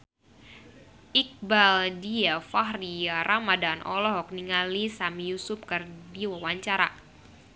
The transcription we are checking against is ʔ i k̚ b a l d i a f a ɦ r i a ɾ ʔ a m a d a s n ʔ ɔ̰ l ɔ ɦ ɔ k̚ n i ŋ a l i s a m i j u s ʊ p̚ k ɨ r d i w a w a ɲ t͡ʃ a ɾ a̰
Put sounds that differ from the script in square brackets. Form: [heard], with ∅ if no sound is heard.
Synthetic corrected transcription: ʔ i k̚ b a l d i a f a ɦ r i a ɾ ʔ a m a d a [∅] n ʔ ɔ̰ l ɔ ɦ ɔ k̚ n i ŋ a l i s a m i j u s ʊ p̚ k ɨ r d i w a w a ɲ t͡ʃ a ɾ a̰